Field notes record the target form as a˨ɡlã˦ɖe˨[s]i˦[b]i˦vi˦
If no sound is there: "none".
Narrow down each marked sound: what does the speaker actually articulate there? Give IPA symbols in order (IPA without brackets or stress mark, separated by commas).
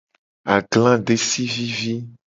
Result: s, v